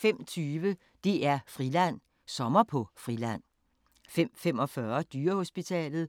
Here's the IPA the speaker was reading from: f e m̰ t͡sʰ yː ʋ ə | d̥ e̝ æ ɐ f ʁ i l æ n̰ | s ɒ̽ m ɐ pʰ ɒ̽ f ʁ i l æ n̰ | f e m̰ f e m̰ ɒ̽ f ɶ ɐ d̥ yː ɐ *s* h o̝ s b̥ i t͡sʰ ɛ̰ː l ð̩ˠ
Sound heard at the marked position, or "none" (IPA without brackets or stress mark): none